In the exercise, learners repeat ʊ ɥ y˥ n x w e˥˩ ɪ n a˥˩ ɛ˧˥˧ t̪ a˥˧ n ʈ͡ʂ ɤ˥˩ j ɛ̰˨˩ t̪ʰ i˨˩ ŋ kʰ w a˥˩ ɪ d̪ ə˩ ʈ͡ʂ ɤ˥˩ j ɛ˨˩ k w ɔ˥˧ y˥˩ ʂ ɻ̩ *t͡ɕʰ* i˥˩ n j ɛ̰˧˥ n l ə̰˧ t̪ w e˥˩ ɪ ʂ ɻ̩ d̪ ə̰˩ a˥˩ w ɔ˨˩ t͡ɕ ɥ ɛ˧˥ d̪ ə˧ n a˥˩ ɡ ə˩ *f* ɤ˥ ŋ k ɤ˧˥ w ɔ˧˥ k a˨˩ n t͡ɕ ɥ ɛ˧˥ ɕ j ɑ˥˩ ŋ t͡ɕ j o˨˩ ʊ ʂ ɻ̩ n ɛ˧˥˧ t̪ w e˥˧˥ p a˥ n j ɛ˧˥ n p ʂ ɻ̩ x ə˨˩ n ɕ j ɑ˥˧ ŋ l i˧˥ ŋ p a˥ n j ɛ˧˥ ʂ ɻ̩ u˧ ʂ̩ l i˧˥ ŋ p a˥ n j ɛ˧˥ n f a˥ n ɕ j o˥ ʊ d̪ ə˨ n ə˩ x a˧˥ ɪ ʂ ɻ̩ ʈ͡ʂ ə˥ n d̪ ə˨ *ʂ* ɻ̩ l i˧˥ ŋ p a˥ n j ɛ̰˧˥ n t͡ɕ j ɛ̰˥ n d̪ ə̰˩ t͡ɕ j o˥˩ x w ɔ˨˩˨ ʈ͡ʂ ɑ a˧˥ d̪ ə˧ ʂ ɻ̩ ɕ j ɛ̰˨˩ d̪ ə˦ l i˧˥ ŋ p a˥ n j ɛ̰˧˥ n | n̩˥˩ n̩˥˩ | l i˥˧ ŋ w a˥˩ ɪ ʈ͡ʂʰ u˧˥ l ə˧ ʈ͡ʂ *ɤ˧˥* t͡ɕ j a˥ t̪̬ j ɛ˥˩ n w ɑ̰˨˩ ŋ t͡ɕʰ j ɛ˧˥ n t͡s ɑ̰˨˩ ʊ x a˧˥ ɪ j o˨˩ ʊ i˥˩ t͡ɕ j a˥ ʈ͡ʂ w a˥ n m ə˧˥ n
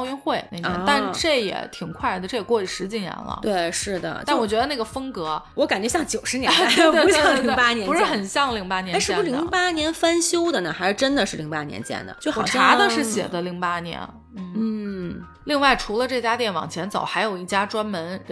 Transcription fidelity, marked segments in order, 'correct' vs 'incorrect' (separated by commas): incorrect, correct, correct, incorrect